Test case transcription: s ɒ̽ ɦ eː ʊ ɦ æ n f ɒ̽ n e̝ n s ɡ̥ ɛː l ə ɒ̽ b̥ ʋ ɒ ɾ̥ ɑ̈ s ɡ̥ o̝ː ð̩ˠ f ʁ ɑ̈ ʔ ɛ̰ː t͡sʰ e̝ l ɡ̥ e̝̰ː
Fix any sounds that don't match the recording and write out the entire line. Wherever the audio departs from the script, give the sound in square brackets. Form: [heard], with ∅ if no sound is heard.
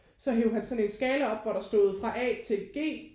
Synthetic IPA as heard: s ɒ̽ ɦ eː ʊ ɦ æ n [s] ɒ̽ n e̝ n s ɡ̥ ɛː l ə ɒ̽ b̥ ʋ ɒ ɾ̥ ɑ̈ s [d̥] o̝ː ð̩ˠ f ʁ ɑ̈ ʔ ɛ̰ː t͡sʰ e̝ l ɡ̥ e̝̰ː